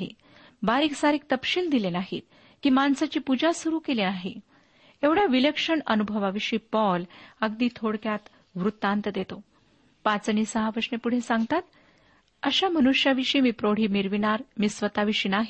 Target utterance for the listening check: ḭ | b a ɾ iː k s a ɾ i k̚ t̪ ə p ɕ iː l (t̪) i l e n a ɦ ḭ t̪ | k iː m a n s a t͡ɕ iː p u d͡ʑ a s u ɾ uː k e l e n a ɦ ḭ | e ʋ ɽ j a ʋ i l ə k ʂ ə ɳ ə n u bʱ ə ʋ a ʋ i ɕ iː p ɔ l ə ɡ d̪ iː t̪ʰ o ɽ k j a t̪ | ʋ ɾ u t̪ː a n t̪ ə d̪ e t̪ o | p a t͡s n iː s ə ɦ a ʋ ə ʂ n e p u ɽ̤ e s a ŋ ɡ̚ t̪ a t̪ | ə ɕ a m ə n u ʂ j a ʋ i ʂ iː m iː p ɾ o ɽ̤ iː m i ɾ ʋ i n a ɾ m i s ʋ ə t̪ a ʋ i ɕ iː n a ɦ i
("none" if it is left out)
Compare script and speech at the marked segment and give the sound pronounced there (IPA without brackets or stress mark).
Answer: d̪